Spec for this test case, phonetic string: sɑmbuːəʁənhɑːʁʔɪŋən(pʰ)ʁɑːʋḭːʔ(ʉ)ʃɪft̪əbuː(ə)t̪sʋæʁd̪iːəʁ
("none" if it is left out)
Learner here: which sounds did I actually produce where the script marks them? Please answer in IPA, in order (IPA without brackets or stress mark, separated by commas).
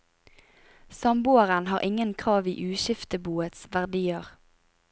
kʰ, ʉː, ə